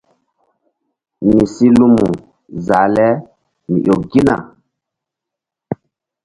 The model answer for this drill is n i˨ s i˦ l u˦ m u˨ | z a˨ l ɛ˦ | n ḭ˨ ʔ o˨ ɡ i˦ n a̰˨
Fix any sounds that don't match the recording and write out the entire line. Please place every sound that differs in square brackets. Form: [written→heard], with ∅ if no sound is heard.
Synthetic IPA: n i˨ s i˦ l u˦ m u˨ | z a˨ l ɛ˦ | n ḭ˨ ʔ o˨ ɡ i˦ n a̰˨